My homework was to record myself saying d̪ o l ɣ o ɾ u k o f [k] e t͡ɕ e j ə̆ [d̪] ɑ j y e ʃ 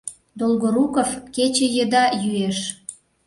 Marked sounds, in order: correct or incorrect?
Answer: correct, correct

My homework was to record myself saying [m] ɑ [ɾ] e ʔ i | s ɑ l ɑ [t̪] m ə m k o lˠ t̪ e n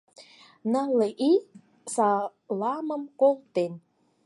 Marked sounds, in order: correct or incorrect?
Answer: incorrect: n, incorrect: l, incorrect: none

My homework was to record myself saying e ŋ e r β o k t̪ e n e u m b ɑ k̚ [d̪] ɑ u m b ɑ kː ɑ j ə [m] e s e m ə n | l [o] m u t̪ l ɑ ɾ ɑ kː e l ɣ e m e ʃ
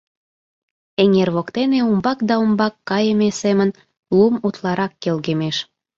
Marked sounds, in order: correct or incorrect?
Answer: correct, correct, incorrect: u

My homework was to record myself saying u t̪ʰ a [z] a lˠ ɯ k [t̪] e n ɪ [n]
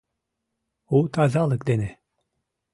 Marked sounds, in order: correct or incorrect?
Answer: correct, incorrect: d̪, incorrect: none

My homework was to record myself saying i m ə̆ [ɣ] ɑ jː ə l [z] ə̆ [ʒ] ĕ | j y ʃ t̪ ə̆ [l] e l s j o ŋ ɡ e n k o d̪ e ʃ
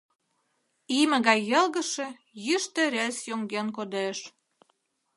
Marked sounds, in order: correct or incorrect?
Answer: correct, incorrect: ɣ, incorrect: ʃ, incorrect: ɾ

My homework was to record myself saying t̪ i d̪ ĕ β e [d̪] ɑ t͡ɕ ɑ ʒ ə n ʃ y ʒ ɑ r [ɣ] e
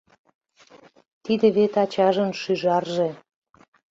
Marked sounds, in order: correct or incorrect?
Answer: incorrect: t̪, incorrect: ʒ

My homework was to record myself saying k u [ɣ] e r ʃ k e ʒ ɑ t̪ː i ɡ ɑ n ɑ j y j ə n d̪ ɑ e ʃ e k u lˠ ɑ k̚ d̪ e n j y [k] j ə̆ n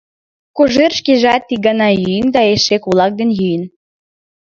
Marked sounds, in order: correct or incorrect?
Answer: incorrect: ʒ, incorrect: none

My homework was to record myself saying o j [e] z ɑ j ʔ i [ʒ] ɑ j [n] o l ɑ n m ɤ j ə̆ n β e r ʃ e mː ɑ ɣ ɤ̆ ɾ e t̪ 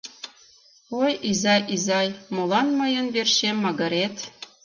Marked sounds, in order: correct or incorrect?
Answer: incorrect: i, incorrect: z, incorrect: m

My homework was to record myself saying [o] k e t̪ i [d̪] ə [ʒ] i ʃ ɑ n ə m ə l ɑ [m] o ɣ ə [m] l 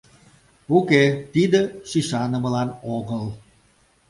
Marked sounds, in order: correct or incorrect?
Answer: incorrect: u, correct, incorrect: ʃ, incorrect: n, incorrect: none

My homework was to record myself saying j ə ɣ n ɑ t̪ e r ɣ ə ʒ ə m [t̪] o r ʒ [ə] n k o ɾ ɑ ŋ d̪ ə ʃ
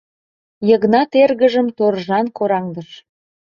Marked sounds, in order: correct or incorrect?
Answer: correct, incorrect: ɑ

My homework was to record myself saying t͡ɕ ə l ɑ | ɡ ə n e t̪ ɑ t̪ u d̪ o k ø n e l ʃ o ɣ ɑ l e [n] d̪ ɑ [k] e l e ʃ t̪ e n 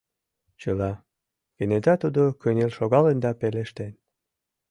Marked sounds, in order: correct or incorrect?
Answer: correct, incorrect: p

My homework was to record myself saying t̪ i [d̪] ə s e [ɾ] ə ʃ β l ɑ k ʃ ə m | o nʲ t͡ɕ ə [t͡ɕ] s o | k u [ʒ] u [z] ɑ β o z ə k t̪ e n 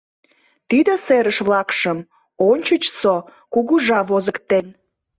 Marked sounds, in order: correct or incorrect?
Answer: correct, correct, correct, incorrect: ɣ, incorrect: ʒ

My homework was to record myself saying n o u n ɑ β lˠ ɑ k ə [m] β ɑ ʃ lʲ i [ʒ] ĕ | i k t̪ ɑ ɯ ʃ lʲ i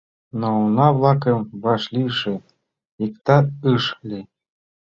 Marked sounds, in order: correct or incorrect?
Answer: correct, incorrect: ʃ

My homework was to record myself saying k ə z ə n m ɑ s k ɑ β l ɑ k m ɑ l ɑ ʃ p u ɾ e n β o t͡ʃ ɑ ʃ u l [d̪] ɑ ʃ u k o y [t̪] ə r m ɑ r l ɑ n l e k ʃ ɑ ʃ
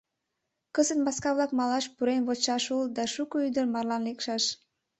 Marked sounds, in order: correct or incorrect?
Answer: correct, incorrect: d̪

